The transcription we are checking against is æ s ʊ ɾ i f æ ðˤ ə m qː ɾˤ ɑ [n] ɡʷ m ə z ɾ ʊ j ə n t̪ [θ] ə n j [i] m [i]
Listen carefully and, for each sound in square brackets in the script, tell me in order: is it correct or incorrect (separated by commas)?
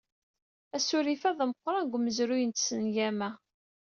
correct, incorrect, incorrect, incorrect